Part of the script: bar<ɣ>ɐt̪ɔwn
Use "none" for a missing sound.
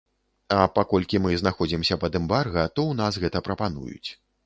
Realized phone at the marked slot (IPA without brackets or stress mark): ɣ